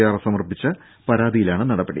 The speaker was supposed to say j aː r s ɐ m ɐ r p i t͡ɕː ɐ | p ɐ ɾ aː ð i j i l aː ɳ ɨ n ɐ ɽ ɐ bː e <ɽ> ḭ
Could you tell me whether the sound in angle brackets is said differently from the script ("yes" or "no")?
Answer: no